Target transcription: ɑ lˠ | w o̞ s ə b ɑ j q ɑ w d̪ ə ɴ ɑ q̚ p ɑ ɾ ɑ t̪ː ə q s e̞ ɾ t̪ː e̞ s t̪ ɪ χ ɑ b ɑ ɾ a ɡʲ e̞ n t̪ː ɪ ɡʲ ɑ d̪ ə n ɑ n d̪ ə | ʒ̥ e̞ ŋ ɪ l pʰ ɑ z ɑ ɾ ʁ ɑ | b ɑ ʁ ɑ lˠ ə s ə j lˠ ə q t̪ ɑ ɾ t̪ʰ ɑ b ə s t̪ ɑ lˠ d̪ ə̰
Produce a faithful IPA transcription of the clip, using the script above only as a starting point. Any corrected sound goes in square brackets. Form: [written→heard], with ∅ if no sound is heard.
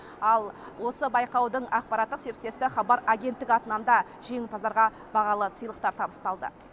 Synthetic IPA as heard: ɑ lˠ | w o̞ s ə b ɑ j q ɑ w d̪ ə ɴ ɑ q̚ p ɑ ɾ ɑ t̪ː ə q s e̞ ɾ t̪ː e̞ s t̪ ɪ χ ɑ b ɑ ɾ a ɡʲ e̞ n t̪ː ɪ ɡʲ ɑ [d̪→t̪] ə n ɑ n d̪ [ə→ɑ] | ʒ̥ e̞ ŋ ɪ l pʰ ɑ z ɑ ɾ ʁ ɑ | b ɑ ʁ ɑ lˠ ə s ə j lˠ ə q t̪ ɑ ɾ t̪ʰ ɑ b ə s t̪ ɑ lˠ d̪ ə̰